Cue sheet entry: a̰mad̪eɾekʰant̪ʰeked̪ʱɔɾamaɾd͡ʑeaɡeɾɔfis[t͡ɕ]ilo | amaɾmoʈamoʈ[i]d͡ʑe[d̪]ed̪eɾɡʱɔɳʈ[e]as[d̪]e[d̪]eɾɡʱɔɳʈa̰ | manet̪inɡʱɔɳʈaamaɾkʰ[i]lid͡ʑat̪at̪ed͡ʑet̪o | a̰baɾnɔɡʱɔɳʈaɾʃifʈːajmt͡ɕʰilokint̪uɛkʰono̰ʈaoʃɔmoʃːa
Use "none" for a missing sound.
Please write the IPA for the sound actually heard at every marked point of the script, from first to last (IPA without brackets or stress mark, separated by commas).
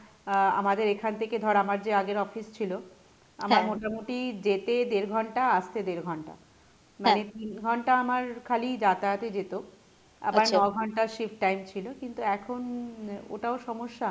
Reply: t͡ɕʰ, i, t̪, a, t̪, d̪, a